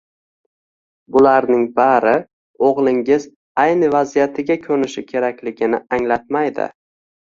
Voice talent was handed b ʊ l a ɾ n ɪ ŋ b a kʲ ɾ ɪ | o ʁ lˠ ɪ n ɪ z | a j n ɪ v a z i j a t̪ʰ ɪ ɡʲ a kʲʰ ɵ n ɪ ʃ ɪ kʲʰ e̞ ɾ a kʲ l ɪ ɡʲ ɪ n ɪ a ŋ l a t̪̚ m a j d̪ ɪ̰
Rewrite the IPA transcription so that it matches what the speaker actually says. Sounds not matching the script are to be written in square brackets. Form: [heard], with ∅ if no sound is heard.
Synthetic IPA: b ʊ l a ɾ n ɪ ŋ b a [∅] ɾ ɪ | o ʁ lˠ ɪ [ŋ] ɪ z | a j n ɪ v a z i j a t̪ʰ ɪ ɡʲ a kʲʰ ɵ n ɪ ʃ ɪ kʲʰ e̞ ɾ a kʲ l ɪ ɡʲ ɪ n ɪ a ŋ l a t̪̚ m a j d̪ ɪ̰